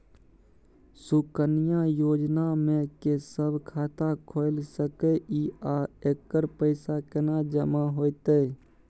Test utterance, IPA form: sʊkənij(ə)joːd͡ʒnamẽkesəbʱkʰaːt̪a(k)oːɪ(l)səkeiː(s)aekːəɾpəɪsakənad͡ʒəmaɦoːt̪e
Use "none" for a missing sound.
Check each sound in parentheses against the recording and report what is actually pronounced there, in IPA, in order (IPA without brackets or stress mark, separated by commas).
a, kʰ, l, none